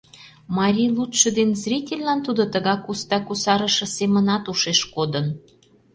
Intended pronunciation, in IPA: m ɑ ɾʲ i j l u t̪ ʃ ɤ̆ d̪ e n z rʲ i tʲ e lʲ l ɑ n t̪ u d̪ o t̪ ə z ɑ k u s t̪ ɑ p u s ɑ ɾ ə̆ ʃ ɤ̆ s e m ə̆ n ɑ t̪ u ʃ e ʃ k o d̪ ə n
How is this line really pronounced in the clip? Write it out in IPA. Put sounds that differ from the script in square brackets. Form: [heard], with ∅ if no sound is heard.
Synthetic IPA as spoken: m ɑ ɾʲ i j l u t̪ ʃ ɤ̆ d̪ e n z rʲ i tʲ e lʲ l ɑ n t̪ u d̪ o t̪ ə [ɣ] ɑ k u s t̪ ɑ [k] u s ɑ ɾ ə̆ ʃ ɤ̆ s e m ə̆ n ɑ t̪ u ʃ e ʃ k o d̪ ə n